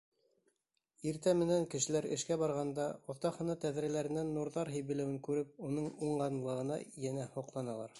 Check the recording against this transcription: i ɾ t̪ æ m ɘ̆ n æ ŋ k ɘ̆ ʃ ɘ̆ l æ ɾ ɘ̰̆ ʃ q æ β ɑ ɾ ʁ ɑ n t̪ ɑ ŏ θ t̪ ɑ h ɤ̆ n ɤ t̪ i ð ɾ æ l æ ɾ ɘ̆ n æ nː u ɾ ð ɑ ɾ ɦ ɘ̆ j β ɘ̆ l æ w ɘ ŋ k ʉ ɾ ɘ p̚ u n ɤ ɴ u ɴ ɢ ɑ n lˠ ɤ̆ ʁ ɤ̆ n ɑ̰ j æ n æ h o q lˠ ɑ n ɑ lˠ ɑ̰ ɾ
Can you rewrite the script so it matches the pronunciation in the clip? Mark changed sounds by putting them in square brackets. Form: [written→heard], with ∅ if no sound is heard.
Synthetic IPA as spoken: i ɾ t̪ æ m ɘ̆ n æ ŋ k ɘ̆ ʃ ɘ̆ l æ ɾ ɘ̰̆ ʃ [q→k] æ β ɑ ɾ ʁ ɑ n [t̪→d̪] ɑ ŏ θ t̪ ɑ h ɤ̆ n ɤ t̪ [i→æ] ð ɾ æ l æ ɾ ɘ̆ n æ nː u ɾ ð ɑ ɾ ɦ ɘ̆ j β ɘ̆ l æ w ɘ ŋ k ʉ ɾ ɘ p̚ u n ɤ ɴ u ɴ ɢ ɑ n lˠ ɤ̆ ʁ ɤ̆ n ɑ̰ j æ n æ h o q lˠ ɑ n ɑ lˠ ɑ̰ ɾ